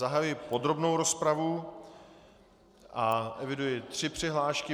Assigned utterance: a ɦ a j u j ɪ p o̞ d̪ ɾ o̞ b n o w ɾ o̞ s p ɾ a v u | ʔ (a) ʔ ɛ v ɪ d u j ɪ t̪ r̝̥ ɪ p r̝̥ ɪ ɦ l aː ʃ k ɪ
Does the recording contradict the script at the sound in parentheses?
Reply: no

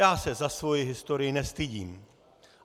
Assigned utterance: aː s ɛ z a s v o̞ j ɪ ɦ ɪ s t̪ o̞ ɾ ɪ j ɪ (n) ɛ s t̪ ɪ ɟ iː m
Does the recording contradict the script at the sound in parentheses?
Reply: no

